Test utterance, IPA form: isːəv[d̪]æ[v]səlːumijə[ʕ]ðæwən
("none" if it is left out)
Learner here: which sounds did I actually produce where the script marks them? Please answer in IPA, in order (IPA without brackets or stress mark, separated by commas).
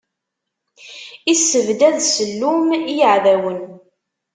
d̪, ð, ʕ